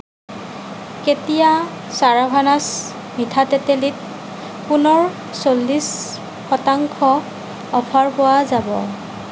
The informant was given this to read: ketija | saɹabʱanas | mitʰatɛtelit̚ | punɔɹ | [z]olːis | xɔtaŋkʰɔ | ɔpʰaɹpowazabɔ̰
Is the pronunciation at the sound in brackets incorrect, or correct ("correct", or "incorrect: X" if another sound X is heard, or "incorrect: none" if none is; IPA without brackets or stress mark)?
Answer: incorrect: s